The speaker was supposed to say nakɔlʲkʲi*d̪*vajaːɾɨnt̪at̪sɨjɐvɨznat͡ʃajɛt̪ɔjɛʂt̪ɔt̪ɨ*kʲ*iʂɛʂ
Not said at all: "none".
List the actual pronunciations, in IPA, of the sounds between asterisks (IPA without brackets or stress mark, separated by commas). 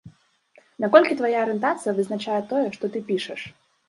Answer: t̪, pʲ